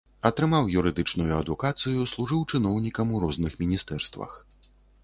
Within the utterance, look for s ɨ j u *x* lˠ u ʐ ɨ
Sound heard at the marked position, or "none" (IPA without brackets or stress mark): s